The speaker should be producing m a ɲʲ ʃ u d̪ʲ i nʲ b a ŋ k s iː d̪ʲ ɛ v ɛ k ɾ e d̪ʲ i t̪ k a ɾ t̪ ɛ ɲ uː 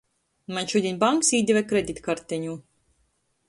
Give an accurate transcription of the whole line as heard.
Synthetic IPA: m a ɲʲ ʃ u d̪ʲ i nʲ b a ŋ k s iː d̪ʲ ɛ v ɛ k ɾ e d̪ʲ i t̪ k a ɾ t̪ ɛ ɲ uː

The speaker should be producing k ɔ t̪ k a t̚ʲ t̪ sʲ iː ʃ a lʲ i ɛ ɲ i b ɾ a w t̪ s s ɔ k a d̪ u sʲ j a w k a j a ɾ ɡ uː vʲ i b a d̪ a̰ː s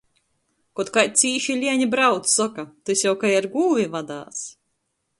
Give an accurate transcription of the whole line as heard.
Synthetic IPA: k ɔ t̪ k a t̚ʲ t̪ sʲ iː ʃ i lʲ i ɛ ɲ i b ɾ a w t̪ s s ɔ k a t̪ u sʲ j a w k a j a ɾ ɡ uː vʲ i v a d̪ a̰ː s

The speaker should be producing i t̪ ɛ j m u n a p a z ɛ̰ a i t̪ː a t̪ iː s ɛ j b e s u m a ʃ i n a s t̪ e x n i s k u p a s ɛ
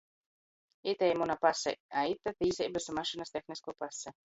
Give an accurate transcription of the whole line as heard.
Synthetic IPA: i t̪ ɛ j m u n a p a s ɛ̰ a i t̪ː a t̪ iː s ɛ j b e s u m a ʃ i n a s t̪ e x n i s k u p a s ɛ

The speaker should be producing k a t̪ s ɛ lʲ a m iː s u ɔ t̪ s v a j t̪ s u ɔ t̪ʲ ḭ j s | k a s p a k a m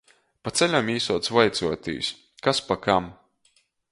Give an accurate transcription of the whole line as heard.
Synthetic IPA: p a t̪ s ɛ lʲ a m iː s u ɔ t̪ s v a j t̪ s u ɔ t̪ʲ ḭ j s | k a s p a k a m

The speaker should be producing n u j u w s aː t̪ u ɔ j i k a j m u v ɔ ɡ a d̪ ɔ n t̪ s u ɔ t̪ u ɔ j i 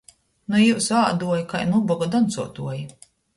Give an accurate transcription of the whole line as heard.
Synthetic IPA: n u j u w s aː d̪ u ɔ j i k a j n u b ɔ ɡ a d̪ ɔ n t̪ s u ɔ t̪ u ɔ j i

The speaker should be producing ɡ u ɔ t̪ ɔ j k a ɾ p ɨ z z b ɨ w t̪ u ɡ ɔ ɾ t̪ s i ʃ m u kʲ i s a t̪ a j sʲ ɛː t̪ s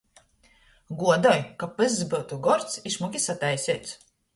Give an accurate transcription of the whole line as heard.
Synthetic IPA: ɡ u ɔ d̪ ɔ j k a p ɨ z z b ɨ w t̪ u ɡ ɔ ɾ t̪ s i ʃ m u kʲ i s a t̪ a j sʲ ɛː t̪ s

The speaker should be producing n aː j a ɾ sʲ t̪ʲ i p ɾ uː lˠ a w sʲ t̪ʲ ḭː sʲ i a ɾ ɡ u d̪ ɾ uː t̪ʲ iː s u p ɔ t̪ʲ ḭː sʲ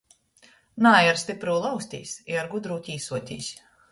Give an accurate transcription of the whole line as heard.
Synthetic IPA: n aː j a ɾ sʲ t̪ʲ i p ɾ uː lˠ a w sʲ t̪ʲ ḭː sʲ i a ɾ ɡ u d̪ ɾ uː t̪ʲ iː s u ɔ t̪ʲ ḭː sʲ

